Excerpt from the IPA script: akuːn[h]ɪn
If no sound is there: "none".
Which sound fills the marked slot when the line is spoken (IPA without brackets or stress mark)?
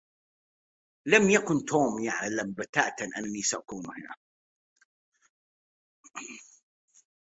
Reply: h